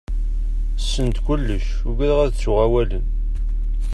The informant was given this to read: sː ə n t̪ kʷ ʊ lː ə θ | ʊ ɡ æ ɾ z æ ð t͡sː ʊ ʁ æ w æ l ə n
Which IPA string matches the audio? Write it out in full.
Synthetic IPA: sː ə n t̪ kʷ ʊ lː ə ʃ | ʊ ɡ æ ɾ ʁ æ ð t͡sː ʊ ʁ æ w æ l ə n